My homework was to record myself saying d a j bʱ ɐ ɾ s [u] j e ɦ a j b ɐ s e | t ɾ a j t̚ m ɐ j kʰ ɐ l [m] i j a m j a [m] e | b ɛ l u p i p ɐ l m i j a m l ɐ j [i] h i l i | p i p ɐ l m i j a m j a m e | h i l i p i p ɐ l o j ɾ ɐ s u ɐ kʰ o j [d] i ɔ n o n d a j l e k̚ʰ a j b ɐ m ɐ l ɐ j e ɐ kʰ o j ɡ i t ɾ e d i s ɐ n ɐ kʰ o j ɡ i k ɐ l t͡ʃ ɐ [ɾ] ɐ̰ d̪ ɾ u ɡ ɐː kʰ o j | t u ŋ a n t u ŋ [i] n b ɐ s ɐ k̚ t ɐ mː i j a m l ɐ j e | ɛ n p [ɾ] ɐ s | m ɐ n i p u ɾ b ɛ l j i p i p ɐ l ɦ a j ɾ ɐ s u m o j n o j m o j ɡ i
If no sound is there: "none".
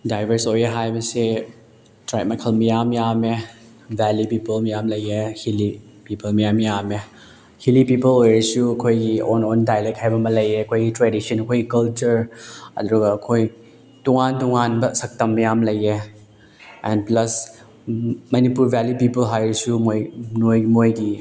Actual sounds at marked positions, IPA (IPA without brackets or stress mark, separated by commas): o, m, m, e, ɡ, ɾ, a, l